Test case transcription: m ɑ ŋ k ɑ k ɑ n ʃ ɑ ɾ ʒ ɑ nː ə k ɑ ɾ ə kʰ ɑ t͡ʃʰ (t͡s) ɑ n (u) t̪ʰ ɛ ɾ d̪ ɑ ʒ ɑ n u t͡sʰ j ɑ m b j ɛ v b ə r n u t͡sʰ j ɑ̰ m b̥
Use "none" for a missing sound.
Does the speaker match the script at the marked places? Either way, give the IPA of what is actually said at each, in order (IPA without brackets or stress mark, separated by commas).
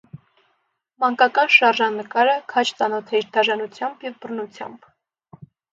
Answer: t͡s, ɔ